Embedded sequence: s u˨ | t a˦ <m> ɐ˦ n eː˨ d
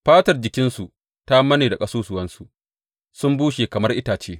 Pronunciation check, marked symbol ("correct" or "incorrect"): correct